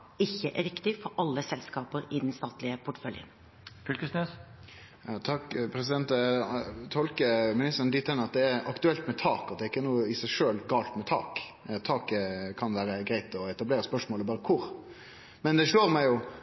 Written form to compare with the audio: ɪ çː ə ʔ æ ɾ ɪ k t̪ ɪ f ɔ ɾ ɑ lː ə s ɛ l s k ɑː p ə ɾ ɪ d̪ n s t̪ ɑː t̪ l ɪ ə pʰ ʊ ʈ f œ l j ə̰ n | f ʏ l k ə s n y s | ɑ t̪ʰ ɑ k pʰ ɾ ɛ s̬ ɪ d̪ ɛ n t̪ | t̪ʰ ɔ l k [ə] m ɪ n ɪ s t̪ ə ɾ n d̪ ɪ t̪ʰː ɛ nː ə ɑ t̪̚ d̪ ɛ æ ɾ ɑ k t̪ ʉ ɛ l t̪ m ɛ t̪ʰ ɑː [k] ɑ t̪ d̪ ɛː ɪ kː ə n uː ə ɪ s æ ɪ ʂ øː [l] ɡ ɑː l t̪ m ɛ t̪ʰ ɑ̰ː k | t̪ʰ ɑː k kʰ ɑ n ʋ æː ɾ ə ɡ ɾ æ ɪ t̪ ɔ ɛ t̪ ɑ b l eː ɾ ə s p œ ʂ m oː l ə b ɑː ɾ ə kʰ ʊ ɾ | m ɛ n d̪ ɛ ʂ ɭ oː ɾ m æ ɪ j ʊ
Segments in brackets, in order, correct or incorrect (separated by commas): correct, correct, correct